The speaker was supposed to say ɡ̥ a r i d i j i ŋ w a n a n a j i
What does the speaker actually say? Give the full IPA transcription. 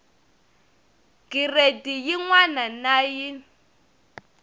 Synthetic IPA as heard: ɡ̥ i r e d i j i ŋ w a n a n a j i